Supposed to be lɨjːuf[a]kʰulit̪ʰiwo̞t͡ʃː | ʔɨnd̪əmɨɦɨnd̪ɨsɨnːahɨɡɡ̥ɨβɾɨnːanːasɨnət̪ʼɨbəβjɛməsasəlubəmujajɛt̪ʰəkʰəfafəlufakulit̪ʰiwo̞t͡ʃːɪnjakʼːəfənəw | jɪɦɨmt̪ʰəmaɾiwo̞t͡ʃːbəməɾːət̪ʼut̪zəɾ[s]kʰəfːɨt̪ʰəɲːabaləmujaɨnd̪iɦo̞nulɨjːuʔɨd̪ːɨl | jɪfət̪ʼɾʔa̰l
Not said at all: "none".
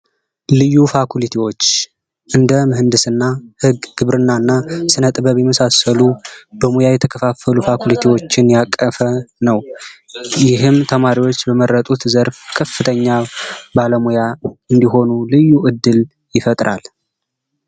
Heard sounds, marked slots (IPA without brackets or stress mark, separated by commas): a, f